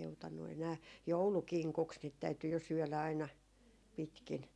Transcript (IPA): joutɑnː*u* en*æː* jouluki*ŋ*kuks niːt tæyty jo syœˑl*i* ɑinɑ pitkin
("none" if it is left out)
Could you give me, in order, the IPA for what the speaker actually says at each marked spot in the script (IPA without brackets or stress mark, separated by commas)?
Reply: u, æː, ŋ, æ